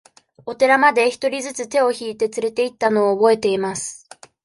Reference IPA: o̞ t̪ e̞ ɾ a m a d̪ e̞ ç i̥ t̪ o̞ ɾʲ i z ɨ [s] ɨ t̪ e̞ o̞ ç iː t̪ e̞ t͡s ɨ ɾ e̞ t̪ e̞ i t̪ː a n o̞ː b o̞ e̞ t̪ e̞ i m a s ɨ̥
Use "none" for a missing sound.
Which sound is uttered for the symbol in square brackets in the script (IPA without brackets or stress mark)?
t͡s